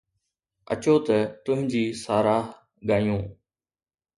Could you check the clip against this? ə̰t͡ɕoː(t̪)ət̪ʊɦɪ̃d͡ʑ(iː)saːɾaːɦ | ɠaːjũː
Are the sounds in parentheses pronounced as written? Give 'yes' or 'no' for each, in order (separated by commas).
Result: yes, yes